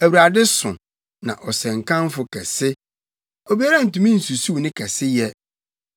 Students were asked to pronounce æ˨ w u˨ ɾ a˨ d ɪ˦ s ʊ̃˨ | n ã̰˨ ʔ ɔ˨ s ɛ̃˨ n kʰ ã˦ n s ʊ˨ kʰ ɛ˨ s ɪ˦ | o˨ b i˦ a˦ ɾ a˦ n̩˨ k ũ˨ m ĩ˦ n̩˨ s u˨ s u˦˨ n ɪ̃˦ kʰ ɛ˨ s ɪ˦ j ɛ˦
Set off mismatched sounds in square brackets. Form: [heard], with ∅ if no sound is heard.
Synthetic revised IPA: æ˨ w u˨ ɾ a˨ d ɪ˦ s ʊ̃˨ | n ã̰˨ ʔ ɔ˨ s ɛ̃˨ [ŋ] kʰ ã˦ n [f] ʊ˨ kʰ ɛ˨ s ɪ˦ | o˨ b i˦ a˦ ɾ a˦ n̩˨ [t] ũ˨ m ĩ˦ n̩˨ s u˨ s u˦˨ n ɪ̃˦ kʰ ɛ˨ s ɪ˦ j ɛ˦